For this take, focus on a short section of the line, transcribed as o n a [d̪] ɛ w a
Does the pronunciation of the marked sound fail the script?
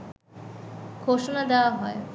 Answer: no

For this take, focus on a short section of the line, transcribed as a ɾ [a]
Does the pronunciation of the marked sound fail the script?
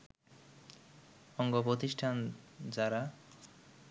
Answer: no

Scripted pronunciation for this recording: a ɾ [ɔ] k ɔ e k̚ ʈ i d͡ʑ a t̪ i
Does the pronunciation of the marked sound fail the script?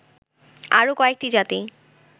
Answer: yes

